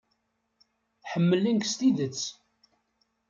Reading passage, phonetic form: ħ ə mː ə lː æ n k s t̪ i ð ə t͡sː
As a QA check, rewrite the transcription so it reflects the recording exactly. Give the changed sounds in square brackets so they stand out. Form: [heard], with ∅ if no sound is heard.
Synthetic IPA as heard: ħ ə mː ə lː [i] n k s t̪ i ð ə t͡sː